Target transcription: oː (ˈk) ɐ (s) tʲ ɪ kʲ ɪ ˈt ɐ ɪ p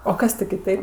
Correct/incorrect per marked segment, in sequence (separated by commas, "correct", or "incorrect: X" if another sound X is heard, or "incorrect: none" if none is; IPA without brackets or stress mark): correct, correct